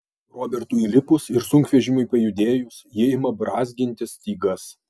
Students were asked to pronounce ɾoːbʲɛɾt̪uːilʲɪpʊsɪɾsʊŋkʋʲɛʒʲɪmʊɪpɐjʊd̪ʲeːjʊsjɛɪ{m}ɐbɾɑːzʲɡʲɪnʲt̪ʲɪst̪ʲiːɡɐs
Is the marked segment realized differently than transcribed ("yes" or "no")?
no